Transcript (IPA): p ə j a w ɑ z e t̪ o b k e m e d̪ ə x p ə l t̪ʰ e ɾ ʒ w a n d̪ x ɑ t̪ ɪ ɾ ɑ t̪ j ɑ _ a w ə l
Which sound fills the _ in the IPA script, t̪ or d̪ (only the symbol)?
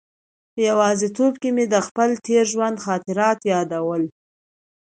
d̪